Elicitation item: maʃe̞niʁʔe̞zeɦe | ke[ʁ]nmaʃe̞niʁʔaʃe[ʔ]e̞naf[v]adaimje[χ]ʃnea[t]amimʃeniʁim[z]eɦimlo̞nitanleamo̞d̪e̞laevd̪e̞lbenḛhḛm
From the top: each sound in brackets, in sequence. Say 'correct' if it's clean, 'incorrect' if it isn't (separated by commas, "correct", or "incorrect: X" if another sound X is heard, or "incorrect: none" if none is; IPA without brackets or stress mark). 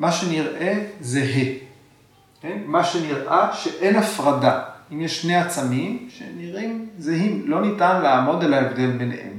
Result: incorrect: none, correct, incorrect: ʁ, incorrect: ʃ, incorrect: t͡s, correct